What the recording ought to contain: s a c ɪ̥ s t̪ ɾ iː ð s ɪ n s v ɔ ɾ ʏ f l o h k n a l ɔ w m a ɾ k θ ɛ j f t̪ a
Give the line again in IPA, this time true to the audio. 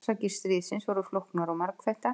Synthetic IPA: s a c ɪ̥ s t̪ ɾ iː ð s ɪ n s v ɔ ɾ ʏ f l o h k n a ɾ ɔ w m a ɾ k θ ɛ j h t̪ a